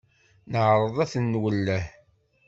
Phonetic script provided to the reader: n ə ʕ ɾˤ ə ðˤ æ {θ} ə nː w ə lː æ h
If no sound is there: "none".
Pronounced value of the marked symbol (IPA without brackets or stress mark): θ